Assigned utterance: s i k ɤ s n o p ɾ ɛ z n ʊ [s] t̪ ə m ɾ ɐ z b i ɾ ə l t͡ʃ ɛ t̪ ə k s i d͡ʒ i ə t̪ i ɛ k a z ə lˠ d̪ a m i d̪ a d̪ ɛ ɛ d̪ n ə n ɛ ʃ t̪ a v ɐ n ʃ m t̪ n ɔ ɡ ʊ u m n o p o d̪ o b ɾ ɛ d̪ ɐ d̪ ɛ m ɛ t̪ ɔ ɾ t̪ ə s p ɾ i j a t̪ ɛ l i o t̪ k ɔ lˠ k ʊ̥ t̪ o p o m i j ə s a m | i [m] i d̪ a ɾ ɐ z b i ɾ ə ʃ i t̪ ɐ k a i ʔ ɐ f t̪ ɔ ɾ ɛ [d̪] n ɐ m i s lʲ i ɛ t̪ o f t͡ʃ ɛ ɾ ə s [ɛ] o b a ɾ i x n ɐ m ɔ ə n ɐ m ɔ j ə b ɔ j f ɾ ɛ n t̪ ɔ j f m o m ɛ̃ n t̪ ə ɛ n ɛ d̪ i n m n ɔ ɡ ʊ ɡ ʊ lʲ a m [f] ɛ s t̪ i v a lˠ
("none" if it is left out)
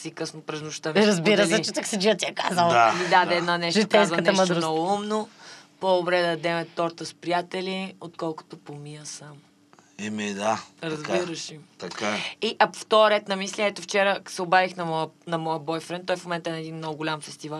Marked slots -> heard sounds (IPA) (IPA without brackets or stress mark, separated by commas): ʃ, m, t̪, ɛ, f